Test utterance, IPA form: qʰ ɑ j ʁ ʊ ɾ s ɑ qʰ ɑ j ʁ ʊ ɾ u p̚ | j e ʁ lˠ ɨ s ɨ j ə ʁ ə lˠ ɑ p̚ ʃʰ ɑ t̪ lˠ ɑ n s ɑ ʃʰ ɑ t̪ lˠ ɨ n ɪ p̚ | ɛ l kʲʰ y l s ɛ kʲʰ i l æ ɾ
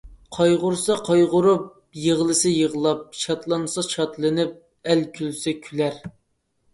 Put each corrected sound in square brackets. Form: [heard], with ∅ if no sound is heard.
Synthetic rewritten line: qʰ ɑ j ʁ ʊ ɾ s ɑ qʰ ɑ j ʁ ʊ ɾ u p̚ | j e ʁ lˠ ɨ s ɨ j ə ʁ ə lˠ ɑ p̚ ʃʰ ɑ t̪ lˠ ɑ n s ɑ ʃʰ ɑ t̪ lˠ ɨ n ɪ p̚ | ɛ l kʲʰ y l s ɛ kʲʰ [y] l æ ɾ